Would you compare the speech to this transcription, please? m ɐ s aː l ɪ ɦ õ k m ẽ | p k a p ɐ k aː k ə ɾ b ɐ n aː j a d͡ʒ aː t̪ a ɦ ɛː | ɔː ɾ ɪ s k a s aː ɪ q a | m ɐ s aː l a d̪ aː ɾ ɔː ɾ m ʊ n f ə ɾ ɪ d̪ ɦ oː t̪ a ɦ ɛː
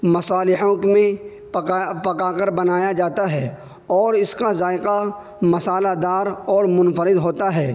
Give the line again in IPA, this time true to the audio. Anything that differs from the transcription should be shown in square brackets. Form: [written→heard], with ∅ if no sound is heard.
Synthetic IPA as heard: m ɐ s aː l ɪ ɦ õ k m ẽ | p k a p ɐ k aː k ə ɾ b ɐ n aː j a d͡ʒ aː t̪ a ɦ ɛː | ɔː ɾ ɪ s k a [s→z] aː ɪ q a | m ɐ s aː l a d̪ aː ɾ ɔː ɾ m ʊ n f ə ɾ ɪ d̪ ɦ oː t̪ a ɦ ɛː